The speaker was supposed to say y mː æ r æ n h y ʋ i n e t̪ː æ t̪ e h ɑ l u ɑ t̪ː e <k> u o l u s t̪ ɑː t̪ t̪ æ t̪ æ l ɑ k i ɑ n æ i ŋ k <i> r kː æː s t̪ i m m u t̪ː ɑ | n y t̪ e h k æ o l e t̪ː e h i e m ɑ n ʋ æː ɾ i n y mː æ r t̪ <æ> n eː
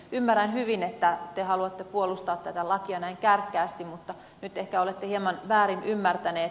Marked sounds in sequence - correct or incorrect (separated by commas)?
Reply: incorrect, incorrect, correct